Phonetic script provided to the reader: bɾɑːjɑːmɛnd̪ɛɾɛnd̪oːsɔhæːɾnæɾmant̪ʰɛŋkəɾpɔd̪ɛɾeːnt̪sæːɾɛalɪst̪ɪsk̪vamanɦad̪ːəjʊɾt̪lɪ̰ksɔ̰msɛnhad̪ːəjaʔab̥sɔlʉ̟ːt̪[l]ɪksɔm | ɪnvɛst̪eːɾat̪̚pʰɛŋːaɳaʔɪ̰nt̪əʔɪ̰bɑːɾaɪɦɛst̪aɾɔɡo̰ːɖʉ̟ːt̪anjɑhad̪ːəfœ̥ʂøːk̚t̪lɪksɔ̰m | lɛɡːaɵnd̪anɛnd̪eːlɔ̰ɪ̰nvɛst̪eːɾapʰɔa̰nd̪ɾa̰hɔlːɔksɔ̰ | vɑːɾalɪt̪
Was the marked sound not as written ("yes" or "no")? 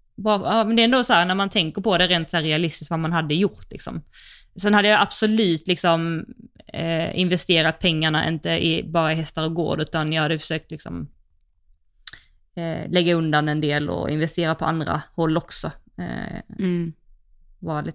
no